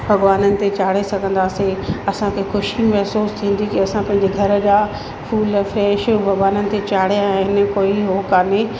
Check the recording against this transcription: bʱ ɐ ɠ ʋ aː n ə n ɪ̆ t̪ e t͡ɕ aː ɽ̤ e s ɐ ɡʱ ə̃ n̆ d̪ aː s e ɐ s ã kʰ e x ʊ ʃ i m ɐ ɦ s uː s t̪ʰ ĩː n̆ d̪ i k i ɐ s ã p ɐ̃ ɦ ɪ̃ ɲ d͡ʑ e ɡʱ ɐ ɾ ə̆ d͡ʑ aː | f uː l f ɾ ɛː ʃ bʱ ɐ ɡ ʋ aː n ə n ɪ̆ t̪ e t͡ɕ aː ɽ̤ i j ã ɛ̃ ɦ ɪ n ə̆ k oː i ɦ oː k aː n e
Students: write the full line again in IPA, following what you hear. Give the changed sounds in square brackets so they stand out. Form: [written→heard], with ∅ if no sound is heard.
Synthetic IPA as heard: bʱ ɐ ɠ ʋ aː n ə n ɪ̆ t̪ e t͡ɕ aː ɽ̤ e s ɐ ɡʱ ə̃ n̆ d̪ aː s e ɐ s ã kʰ e x ʊ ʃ i m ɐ ɦ s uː s t̪ʰ ĩː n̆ d̪ i k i ɐ s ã p ɐ̃ ɦ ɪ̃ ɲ d͡ʑ e ɡʱ ɐ ɾ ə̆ d͡ʑ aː | f uː l f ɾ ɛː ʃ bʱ ɐ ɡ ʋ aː n ə n ɪ̆ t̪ e t͡ɕ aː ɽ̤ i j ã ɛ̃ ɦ ɪ n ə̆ k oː i ɦ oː k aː n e